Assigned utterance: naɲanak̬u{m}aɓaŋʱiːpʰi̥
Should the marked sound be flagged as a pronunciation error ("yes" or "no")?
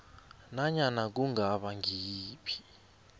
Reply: yes